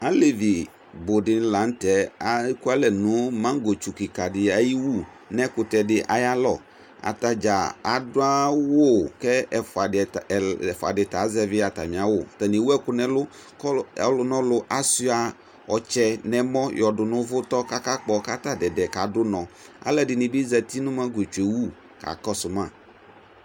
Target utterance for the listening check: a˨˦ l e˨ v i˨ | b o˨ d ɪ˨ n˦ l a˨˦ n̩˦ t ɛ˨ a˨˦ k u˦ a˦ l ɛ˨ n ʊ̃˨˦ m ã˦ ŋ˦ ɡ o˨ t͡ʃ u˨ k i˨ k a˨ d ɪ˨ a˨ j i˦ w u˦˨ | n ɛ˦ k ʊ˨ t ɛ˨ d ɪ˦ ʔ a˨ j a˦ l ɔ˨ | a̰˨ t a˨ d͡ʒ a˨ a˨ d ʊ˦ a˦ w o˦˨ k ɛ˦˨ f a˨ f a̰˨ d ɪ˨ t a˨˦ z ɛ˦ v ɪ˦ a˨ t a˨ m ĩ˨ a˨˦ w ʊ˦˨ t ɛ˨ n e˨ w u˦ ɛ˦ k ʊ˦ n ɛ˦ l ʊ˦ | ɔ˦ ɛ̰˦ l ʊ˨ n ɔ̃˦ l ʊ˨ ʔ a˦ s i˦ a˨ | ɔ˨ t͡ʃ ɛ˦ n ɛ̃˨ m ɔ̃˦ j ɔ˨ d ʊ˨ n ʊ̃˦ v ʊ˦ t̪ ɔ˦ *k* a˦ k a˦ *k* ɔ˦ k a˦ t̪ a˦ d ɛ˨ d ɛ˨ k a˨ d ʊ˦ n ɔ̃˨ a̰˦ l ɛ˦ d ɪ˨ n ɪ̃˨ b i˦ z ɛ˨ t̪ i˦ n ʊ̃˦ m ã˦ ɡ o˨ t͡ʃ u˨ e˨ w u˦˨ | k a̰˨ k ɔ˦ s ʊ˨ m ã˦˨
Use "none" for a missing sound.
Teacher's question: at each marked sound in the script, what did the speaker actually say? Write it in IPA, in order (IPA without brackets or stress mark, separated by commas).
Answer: k, k͡p